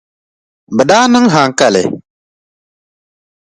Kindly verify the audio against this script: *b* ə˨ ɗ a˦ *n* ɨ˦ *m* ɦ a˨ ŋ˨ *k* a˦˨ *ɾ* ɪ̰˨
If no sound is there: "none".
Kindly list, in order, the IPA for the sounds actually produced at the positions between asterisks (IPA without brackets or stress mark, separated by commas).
b, n, ŋ, k, l